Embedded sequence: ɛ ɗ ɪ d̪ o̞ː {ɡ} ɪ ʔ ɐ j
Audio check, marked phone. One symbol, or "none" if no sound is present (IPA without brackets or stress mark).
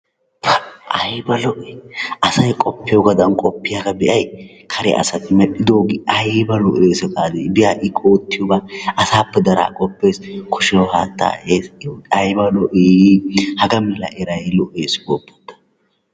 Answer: ɡ